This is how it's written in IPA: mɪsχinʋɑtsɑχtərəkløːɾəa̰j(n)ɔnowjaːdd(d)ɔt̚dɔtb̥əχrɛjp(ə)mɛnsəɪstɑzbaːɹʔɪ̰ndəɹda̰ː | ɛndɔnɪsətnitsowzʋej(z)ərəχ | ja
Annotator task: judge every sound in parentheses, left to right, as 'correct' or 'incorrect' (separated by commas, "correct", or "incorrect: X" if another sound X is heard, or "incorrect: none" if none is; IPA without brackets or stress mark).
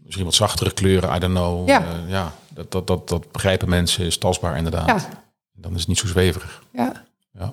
incorrect: d, correct, correct, incorrect: v